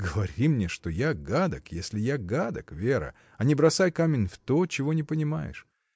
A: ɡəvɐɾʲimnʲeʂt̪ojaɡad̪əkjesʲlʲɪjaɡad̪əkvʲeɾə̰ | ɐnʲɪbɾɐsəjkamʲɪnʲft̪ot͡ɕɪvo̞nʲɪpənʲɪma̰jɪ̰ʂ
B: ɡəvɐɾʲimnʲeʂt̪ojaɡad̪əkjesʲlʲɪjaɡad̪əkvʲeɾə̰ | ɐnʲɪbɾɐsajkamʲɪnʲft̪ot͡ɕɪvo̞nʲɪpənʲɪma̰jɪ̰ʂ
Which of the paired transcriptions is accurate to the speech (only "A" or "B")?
B